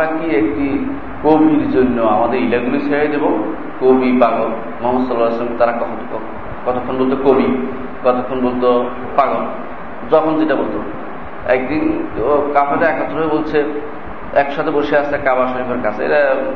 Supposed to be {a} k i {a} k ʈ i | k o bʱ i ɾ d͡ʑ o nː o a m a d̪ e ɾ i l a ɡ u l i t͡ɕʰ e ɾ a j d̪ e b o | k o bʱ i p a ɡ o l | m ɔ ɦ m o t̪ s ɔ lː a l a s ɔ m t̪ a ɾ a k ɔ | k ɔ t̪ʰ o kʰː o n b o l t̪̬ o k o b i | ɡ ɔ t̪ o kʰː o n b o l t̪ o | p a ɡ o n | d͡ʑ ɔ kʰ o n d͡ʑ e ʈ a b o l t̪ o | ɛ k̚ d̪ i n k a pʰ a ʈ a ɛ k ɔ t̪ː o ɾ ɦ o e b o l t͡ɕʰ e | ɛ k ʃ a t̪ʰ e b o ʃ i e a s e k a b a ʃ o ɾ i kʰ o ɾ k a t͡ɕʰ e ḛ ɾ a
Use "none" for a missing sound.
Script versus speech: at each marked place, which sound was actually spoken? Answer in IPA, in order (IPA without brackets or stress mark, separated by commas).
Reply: a, e